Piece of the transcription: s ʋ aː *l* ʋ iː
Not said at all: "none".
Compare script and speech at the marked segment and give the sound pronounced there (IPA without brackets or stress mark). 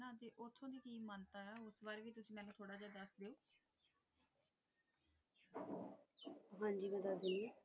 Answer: ɾ